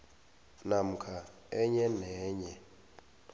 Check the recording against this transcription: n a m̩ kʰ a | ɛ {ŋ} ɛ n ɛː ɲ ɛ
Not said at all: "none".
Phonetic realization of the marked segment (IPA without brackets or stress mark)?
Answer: ɲ